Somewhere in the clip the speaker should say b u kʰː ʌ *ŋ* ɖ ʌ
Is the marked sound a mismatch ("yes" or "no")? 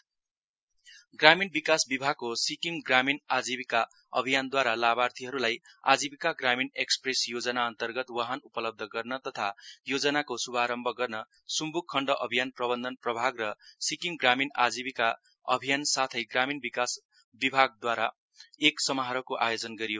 yes